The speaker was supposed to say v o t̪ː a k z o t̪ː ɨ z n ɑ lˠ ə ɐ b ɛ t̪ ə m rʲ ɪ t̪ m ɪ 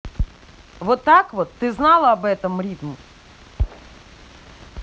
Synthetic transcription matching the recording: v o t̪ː a k v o t̪ː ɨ z n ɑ lˠ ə ɐ b ɛ t̪ ə m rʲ i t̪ m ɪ